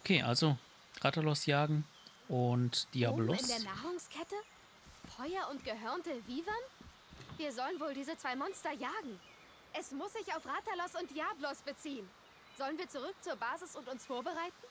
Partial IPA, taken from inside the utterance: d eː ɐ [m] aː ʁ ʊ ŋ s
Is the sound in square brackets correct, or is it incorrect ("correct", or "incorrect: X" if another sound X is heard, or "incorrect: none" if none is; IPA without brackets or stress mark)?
incorrect: n